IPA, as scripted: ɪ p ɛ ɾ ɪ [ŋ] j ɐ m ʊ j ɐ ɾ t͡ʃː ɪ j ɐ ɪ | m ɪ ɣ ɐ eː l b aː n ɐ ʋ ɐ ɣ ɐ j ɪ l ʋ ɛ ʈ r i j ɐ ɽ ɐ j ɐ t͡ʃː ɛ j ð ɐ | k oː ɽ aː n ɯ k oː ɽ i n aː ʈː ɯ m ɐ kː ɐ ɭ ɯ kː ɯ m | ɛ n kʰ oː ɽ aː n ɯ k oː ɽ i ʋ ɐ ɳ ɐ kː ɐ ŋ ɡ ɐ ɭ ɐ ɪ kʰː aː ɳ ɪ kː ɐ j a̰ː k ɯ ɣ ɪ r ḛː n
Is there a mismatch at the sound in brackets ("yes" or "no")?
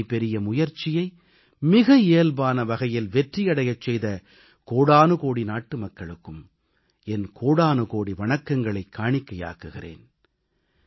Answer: yes